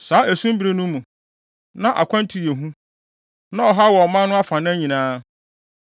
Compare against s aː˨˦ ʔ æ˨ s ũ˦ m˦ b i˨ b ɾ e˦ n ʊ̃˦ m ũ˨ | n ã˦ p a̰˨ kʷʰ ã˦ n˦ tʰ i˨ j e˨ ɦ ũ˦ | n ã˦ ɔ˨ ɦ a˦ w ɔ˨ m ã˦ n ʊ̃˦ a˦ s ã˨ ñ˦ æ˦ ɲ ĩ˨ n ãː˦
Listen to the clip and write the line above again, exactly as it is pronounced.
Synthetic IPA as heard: s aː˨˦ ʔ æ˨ s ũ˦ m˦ b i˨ ɾ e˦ n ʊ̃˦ m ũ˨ | n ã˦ ʔ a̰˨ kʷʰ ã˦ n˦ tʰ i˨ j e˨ ɦ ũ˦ | n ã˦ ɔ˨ ɦ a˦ w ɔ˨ m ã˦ n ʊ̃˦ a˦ f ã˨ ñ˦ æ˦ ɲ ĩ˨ n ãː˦